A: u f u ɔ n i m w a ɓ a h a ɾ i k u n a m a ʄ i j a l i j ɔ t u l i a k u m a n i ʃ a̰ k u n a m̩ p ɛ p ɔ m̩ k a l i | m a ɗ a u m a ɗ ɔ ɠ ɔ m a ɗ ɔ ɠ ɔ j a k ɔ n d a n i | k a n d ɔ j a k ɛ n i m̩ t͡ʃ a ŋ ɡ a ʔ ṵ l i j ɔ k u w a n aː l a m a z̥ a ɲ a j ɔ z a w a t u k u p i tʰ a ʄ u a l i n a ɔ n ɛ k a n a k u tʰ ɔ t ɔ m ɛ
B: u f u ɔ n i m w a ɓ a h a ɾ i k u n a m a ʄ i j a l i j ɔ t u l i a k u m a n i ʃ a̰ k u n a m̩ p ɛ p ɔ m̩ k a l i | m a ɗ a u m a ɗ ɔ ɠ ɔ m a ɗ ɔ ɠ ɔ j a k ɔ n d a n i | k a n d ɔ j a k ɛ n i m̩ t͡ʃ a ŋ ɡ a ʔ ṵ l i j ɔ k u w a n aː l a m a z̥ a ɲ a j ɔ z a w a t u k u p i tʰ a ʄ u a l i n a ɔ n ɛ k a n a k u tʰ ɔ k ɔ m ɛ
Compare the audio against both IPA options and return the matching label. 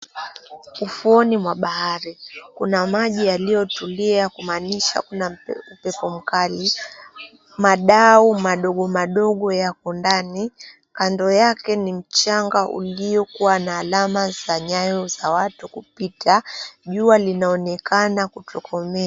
B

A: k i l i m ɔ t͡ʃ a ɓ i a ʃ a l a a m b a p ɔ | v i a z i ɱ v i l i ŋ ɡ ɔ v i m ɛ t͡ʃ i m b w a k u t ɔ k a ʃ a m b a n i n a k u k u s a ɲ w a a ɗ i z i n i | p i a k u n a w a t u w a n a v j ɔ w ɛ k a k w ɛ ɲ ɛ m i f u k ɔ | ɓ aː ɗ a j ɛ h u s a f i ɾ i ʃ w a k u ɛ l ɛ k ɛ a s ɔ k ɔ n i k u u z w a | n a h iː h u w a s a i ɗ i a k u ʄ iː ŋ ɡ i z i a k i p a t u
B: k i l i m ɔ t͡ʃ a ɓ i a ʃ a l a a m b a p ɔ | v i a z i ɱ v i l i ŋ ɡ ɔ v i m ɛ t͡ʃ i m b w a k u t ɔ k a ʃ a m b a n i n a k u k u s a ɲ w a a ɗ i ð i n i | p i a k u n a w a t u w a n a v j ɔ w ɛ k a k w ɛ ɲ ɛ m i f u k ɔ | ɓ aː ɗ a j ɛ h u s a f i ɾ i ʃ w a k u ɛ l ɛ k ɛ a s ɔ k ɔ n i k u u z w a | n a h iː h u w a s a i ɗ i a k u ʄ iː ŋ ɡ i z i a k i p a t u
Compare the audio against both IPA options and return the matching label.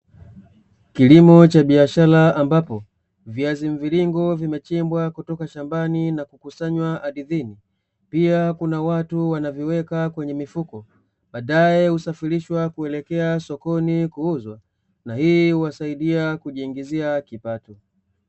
B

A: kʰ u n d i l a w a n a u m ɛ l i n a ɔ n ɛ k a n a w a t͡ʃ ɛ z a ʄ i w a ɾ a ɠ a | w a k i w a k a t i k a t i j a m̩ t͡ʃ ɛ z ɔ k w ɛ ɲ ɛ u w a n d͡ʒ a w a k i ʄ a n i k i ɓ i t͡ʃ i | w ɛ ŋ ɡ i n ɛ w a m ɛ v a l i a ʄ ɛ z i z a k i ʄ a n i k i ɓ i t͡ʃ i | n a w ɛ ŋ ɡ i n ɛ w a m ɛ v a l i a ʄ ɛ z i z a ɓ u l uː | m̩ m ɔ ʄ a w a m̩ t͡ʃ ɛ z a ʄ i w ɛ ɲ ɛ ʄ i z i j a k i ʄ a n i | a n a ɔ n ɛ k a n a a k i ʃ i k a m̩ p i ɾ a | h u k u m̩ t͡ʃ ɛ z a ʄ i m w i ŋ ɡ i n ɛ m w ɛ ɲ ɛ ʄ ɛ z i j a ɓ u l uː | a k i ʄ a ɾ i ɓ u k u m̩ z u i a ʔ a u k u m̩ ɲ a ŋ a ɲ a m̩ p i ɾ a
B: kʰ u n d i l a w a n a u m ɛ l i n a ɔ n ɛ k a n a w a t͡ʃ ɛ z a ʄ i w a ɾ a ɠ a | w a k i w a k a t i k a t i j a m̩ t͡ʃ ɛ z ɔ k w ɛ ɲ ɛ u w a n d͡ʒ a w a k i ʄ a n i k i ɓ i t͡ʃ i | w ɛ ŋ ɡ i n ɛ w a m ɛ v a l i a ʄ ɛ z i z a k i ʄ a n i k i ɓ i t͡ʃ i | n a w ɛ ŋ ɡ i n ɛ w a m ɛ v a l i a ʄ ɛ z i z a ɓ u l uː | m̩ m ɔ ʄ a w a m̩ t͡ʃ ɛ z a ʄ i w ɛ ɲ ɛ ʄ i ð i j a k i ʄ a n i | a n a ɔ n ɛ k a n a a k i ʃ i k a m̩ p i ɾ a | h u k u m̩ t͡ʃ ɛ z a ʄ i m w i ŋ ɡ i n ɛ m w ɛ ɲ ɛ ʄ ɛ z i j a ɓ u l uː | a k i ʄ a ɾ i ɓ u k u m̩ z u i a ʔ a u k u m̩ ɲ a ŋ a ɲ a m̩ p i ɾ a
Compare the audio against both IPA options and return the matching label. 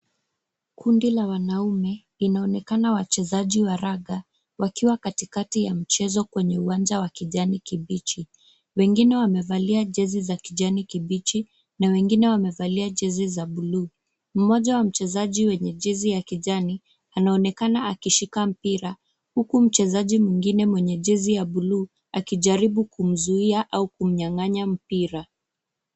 A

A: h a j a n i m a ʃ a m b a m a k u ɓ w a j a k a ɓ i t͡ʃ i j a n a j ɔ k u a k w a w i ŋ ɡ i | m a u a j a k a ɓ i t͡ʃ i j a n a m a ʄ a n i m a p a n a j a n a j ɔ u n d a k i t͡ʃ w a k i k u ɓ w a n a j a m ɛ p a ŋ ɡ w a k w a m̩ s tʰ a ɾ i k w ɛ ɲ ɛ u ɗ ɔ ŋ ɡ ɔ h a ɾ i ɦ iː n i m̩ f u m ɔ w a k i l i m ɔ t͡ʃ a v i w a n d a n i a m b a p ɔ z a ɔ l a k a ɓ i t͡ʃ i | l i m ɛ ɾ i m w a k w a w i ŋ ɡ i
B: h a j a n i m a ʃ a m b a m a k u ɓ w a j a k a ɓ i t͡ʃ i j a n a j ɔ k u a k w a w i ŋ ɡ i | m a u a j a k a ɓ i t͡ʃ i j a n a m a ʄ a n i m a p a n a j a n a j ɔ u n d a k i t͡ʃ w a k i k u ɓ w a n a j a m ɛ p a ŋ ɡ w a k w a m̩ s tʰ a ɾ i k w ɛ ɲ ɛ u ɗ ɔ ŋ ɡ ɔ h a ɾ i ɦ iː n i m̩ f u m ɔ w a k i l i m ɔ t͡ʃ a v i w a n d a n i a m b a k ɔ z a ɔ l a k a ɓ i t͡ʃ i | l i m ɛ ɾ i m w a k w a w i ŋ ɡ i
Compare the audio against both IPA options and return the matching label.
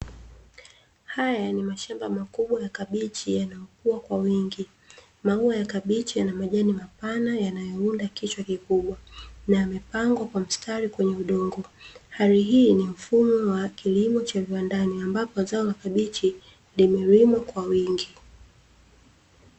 A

